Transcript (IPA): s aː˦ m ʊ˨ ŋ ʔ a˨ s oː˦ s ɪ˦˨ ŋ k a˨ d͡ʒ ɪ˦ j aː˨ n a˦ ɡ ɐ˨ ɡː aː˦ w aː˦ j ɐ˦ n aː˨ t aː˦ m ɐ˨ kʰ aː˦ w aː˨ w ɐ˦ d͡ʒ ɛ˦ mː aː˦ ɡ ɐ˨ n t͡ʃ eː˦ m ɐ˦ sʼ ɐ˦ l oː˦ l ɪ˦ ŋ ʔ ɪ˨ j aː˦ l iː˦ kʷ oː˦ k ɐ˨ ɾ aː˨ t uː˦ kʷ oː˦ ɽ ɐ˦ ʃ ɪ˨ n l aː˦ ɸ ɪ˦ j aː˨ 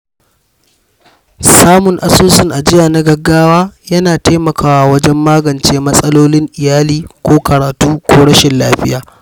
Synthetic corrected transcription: s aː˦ m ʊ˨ ŋ ʔ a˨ s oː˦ s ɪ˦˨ ŋ ʔ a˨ d͡ʒ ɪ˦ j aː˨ n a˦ ɡ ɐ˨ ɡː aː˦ w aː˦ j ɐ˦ n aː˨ t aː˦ m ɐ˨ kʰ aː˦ w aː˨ w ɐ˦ d͡ʒ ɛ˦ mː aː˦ ɡ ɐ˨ n t͡ʃ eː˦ m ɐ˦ sʼ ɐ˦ l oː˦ l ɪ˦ ŋ ʔ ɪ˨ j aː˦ l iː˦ kʷ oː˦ k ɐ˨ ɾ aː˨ t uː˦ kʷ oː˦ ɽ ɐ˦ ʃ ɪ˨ n l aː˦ ɸ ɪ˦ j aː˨